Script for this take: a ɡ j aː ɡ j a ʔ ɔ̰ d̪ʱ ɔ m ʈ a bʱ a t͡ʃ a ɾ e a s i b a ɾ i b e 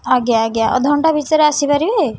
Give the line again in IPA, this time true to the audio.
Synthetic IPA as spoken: a ɡ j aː ɡ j a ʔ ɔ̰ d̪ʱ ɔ ɳ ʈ a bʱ i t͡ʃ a ɾ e a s i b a ɾ i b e